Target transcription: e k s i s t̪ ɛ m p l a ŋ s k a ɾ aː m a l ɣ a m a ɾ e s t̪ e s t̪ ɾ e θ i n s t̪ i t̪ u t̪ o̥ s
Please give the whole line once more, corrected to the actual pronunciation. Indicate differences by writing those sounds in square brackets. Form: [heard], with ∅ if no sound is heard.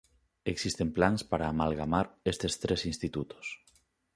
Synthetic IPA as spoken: e k s i s t̪ [e] m p l a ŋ s [p] a ɾ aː m a l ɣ a m a ɾ e s t̪ e s t̪ ɾ e [s] i n s t̪ i t̪ u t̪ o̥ s